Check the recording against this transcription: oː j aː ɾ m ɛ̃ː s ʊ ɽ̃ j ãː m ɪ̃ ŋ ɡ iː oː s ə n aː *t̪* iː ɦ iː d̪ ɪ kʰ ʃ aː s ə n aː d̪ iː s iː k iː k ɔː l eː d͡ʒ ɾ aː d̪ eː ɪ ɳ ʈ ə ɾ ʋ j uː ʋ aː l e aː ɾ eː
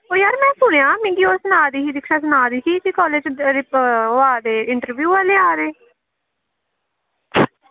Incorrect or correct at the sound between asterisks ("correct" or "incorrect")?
incorrect